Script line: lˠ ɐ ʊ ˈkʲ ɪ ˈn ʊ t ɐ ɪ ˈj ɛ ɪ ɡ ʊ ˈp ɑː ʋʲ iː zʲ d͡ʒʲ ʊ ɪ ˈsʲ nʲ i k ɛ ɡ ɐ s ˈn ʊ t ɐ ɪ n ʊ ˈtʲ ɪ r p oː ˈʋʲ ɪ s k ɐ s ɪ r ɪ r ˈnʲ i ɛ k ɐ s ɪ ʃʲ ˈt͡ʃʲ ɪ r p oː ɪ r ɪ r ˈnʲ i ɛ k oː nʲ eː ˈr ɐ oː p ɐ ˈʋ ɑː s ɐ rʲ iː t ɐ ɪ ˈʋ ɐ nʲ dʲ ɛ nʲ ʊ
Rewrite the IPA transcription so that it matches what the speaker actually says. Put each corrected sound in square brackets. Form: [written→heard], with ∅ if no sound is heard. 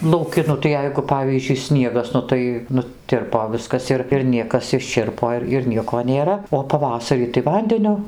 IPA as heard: lˠ ɐ ʊ ˈkʲ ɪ ˈn ʊ t ɐ ɪ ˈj ɛ ɪ ɡ ʊ ˈp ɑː ʋʲ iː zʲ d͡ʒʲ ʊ ɪ ˈsʲ nʲ i [k→∅] ɛ ɡ ɐ s ˈn ʊ t ɐ ɪ n ʊ ˈtʲ ɪ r p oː ˈʋʲ ɪ s k ɐ s ɪ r ɪ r ˈnʲ i ɛ k ɐ s ɪ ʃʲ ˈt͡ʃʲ ɪ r p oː ɪ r ɪ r ˈnʲ i ɛ k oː nʲ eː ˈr ɐ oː p ɐ ˈʋ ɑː s ɐ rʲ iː t ɐ ɪ ˈʋ ɐ nʲ dʲ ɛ nʲ ʊ